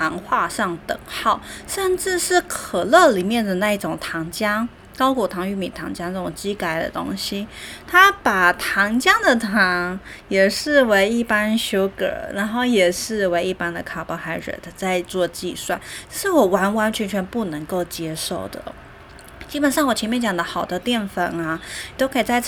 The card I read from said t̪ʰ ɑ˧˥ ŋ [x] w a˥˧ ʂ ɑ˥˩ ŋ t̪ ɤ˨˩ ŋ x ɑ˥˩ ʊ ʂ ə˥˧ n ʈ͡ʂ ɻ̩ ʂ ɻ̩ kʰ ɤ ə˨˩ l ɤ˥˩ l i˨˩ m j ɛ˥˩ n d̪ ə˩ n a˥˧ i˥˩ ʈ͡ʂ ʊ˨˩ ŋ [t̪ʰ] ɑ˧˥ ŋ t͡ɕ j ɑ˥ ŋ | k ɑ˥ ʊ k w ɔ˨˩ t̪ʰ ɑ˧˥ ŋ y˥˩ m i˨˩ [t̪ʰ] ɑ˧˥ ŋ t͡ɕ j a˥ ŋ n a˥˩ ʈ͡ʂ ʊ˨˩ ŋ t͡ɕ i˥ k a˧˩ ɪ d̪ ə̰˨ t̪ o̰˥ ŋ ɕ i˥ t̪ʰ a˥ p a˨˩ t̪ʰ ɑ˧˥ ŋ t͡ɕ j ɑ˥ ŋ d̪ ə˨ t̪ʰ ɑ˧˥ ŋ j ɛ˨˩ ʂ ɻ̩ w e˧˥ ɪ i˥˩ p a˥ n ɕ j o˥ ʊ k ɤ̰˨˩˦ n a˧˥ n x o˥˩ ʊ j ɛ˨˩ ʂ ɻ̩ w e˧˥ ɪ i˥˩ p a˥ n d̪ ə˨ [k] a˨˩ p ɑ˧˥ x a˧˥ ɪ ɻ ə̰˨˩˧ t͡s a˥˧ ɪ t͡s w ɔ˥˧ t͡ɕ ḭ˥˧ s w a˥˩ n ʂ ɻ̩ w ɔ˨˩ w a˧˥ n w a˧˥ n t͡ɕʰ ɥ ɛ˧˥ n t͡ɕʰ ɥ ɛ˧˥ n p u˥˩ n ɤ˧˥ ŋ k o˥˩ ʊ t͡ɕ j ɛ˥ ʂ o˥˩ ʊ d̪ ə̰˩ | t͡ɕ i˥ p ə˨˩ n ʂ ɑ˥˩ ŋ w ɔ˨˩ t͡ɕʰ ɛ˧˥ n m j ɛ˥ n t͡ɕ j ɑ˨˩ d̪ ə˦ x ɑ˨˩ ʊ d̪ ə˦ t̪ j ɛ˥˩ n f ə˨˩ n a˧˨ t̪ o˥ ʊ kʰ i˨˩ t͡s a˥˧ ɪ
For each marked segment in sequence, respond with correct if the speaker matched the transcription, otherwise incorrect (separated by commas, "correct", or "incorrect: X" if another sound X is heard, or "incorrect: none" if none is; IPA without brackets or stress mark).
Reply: correct, correct, correct, incorrect: kʰ